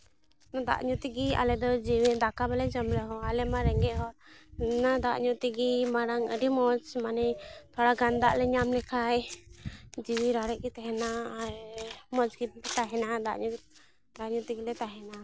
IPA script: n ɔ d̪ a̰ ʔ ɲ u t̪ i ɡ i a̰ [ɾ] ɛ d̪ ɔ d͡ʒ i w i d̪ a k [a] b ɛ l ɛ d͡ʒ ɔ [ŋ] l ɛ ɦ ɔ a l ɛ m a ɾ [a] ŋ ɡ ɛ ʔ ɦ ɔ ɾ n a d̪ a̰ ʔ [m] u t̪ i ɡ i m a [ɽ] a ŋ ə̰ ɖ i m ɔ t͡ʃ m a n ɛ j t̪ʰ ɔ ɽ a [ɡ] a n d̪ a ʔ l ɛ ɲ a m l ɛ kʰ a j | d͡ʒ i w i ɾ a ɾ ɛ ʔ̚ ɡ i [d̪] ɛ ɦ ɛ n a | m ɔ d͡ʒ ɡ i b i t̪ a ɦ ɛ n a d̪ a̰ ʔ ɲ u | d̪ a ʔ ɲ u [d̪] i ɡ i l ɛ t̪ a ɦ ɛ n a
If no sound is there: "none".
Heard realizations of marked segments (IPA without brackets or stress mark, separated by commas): l, a, m, ɛ, ɲ, ɾ, ɡ, t̪, t̪